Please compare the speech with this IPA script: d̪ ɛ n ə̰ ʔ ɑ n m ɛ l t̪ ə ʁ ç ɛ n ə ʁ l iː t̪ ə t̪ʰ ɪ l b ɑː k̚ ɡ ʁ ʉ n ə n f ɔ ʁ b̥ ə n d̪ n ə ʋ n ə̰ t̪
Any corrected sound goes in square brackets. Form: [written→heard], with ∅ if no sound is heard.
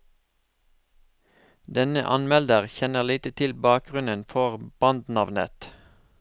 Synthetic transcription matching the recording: d̪ ɛ n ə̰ ʔ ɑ n m ɛ l [t̪→d̪] ə ʁ ç ɛ n ə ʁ l iː t̪ ə t̪ʰ ɪ l b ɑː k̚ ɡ ʁ ʉ n ə n f ɔ ʁ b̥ [ə→ɑ] n d̪ n [ə→ɑ] ʋ n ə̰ t̪